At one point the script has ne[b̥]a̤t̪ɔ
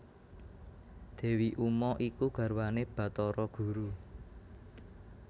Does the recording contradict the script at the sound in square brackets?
no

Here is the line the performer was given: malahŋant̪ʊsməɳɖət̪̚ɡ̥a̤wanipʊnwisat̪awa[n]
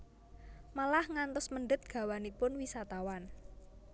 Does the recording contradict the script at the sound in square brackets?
no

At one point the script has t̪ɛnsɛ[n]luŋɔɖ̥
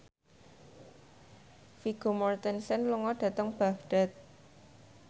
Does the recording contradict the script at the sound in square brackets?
no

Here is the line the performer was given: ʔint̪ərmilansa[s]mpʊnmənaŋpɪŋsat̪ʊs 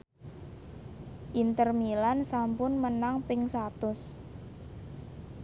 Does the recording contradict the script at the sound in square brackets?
yes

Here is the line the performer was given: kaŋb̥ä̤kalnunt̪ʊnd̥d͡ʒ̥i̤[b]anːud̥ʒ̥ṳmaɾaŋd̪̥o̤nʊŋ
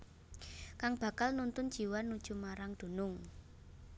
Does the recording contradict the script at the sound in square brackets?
yes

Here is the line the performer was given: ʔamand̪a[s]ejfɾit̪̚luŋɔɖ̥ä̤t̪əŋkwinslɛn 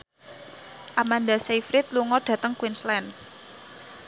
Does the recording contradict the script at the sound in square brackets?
no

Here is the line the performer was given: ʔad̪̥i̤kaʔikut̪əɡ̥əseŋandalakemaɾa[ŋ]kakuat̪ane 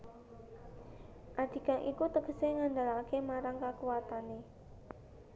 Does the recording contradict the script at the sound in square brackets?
no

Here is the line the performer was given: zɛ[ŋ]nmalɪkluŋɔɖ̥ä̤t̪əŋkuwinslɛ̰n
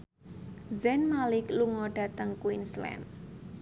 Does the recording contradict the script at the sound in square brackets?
yes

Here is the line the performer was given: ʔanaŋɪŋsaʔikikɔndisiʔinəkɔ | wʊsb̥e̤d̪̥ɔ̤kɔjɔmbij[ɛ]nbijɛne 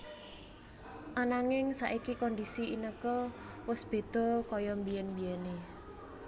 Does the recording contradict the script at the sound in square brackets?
no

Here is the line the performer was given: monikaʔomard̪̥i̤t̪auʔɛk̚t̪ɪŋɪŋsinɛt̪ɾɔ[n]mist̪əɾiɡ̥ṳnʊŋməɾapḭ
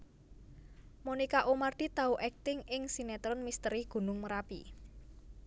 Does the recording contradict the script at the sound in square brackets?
no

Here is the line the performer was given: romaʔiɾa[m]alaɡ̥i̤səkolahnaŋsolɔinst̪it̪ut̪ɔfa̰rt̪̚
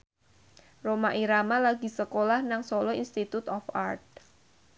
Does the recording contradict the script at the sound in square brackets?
no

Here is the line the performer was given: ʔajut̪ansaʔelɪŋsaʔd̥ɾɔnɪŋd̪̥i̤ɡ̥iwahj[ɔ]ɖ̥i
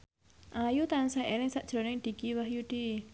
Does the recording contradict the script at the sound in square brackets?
yes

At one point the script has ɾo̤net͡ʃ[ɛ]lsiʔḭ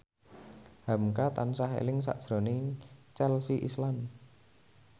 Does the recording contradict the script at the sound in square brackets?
no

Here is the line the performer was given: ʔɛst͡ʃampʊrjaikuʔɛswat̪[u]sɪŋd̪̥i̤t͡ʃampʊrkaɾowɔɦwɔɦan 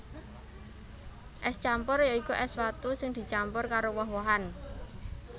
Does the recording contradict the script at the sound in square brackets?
no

